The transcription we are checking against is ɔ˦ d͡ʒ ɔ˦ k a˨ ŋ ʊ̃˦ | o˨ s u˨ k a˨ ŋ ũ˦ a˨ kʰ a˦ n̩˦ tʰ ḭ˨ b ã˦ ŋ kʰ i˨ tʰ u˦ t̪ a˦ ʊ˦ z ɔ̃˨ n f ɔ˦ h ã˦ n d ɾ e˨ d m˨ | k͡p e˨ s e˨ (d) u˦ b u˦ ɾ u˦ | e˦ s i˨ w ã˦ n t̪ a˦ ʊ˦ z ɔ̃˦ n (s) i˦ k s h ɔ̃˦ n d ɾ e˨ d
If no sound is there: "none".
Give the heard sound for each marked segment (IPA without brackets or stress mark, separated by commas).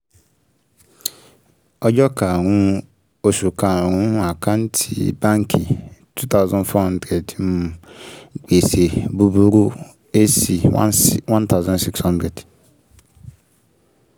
b, s